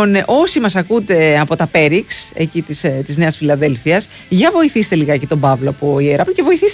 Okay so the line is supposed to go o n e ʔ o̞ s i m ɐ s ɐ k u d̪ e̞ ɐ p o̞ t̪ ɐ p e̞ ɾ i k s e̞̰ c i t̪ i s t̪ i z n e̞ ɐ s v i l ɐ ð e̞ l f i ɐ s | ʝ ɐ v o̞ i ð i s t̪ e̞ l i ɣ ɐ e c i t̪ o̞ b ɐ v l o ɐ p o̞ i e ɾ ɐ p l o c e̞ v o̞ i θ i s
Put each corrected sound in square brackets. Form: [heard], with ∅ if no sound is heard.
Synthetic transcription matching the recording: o n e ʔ o̞ s i m ɐ s ɐ k u d̪ e̞ ɐ p o̞ t̪ ɐ p e̞ ɾ i k s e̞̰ c i t̪ i s t̪ i z n e̞ ɐ s [f] i l ɐ ð e̞ l f i ɐ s | ʝ ɐ v o̞ i [θ] i s t̪ e̞ l i ɣ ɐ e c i t̪ o̞ b ɐ v l o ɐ p o̞ i e ɾ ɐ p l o c e̞ v o̞ i θ i s